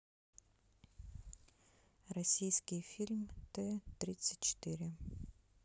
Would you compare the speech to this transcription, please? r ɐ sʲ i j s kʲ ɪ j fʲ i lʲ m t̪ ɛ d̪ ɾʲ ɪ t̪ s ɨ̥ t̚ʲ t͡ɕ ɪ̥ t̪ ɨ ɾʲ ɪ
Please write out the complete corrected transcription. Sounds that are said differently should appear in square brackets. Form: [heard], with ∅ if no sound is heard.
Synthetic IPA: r ɐ sʲ i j s kʲ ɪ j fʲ i lʲ m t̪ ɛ [t̪] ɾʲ [i] t̪ s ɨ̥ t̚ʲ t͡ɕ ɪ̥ t̪ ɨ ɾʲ ɪ